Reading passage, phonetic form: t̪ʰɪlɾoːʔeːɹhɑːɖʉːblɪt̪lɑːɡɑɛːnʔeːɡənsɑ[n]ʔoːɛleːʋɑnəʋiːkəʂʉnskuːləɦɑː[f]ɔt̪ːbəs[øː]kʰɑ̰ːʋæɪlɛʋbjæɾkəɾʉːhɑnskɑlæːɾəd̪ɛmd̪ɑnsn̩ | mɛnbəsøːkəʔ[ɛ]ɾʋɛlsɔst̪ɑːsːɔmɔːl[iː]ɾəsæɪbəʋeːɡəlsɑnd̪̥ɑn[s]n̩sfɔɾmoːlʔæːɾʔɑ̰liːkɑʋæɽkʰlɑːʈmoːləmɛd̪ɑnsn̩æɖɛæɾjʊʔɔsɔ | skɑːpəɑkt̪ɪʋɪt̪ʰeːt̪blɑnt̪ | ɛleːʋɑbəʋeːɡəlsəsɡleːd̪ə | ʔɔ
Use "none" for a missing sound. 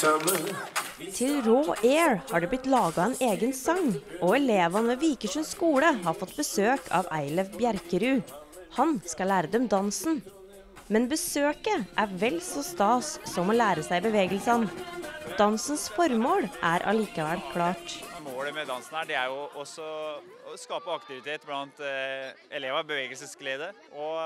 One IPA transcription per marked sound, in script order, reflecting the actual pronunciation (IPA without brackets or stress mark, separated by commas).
ŋ, f, øː, æ, æː, s